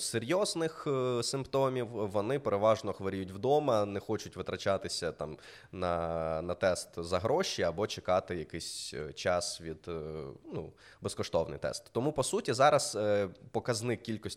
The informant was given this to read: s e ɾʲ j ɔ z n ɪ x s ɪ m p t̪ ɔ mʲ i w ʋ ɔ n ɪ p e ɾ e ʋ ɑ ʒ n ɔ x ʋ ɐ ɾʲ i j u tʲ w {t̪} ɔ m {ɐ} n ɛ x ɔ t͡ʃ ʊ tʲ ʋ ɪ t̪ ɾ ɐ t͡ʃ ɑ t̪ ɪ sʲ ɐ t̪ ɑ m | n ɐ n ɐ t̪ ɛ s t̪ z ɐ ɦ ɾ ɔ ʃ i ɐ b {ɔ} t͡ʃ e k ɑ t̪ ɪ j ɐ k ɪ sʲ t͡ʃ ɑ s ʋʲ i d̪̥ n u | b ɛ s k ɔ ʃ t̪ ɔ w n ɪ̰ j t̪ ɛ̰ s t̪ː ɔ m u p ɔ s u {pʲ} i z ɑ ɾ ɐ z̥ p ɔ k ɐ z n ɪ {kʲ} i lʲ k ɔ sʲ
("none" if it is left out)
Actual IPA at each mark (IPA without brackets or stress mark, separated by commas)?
d̪, ɐ, ɔ, tʲ, kʲ